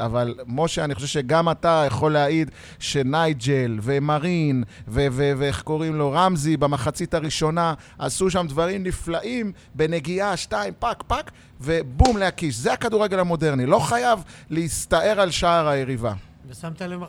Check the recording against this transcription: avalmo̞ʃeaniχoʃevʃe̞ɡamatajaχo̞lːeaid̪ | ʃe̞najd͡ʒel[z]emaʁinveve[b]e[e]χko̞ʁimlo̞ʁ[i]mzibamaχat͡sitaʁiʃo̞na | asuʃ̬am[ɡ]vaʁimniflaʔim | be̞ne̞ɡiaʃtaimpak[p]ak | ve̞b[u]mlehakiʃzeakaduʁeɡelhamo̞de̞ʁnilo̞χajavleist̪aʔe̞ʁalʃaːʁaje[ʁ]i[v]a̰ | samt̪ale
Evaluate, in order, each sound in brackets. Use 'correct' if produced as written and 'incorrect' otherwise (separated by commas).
incorrect, incorrect, correct, incorrect, incorrect, correct, correct, correct, correct